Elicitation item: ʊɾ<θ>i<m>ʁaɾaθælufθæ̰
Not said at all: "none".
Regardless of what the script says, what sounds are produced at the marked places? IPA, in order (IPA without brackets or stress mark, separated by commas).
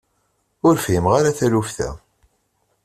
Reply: f, m